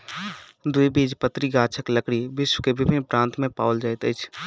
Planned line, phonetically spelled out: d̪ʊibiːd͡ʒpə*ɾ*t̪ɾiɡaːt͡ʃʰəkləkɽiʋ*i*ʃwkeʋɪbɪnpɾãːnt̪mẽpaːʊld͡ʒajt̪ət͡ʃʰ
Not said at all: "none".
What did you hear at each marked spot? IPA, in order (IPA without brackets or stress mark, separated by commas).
none, ɪ